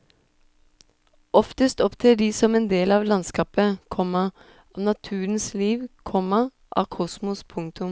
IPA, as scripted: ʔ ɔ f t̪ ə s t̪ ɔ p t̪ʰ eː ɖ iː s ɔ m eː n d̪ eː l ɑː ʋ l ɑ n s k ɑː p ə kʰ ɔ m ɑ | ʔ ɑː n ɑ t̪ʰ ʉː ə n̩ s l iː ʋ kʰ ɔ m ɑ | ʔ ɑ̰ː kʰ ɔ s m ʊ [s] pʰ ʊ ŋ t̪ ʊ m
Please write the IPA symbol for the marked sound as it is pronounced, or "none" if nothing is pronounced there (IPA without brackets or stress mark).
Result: s